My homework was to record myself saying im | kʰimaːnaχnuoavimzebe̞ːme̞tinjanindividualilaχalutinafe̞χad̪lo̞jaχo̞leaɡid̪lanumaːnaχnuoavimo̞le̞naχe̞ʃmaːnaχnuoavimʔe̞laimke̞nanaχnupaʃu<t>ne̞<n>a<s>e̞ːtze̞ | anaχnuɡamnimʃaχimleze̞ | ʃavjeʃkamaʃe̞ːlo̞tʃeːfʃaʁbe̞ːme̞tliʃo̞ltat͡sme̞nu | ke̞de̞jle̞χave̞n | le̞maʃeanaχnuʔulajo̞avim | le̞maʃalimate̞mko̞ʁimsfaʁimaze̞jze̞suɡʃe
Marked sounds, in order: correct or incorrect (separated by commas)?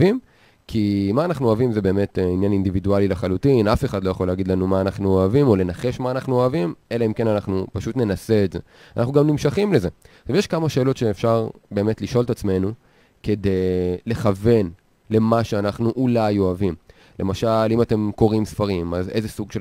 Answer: correct, correct, correct